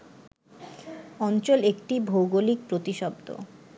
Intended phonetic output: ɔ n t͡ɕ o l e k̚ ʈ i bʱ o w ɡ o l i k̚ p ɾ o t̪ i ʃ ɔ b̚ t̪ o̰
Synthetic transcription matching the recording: ɔ n t͡ɕ o l e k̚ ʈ i bʱ o w ɡ o l i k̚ p ɾ o t̪ i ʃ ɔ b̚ d̪ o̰